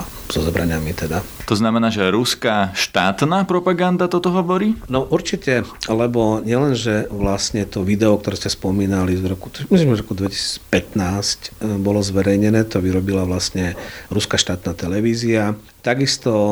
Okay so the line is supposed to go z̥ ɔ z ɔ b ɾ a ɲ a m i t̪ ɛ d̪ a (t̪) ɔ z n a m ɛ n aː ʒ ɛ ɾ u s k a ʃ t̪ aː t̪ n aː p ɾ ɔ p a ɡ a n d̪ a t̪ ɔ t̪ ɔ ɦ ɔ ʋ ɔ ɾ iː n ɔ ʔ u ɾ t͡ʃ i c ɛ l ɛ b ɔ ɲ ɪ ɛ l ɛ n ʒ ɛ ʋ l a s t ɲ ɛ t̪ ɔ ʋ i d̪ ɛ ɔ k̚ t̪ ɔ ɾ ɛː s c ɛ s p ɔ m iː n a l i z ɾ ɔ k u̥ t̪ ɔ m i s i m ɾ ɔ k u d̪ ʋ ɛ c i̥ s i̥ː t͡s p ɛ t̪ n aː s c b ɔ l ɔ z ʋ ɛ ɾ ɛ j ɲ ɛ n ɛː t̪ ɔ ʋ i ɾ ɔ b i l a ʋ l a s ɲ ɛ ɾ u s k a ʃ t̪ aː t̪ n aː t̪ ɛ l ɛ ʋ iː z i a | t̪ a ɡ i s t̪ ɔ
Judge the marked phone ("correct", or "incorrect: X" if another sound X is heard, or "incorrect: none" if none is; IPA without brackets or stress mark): correct